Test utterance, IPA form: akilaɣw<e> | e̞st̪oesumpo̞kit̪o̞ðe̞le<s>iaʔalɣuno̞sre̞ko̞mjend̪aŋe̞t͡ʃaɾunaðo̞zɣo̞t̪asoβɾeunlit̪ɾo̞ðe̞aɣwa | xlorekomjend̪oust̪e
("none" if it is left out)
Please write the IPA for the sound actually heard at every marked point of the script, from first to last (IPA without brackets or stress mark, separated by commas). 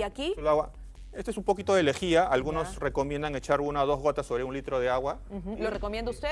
a, x